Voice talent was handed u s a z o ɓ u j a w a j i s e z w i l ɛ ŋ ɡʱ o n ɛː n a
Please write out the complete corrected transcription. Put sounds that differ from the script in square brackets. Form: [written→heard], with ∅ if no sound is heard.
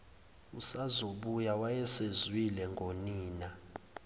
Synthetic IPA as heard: u s a z o ɓ u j a w a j [i→ɛ] s e z w i l ɛ ŋ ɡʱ o n [ɛː→iː] n a